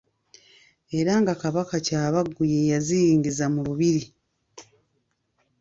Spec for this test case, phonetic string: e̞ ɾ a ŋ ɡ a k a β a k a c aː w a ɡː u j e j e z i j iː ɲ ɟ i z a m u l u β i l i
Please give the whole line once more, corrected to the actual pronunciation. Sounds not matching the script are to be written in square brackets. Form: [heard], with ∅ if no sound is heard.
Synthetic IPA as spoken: e̞ ɾ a ŋ ɡ a k a β a k a c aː [β] a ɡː u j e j [a] z i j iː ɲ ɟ i z a m u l u β i [ɾ] i